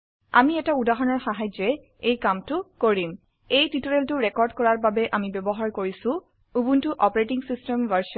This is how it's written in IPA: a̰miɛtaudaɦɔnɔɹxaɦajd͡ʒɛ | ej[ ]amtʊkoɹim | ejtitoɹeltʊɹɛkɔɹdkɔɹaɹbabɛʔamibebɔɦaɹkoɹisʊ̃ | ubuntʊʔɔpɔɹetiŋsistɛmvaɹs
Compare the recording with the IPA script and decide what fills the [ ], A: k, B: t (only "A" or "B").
A